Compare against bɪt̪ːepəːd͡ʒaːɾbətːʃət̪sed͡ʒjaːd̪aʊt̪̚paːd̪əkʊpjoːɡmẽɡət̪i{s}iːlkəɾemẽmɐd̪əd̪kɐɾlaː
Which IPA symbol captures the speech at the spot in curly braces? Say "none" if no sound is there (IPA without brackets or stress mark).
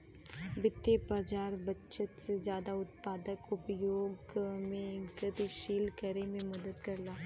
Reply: ʃ